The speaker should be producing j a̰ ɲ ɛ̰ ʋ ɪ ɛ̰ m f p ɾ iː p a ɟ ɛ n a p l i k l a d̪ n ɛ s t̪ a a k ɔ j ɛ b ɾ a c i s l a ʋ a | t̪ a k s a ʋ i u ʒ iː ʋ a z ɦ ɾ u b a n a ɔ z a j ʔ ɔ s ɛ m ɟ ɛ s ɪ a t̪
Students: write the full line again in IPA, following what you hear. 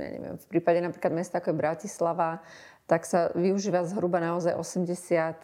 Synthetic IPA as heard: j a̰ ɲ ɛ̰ ʋ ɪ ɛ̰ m f p ɾ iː p a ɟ ɛ n a p ɾ i k l a d̪ m ɛ s t̪ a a k ɔ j ɛ b ɾ a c i s l a ʋ a | t̪ a k s a ʋ i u ʒ iː ʋ a z ɦ ɾ u b a n a ɔ z a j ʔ ɔ s ɛ m ɟ ɛ s ɪ a t̪